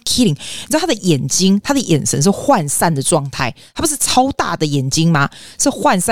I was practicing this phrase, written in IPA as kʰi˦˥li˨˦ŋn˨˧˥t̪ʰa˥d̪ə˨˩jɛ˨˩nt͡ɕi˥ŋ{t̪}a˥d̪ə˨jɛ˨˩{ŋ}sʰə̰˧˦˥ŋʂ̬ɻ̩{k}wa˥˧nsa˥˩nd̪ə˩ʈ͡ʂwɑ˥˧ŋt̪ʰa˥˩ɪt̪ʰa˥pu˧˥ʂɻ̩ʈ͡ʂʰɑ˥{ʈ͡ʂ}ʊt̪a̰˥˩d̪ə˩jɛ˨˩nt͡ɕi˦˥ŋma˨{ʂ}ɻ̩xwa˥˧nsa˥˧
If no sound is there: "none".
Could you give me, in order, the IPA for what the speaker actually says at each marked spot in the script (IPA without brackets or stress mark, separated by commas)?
t̪ʰ, n, x, none, ʂ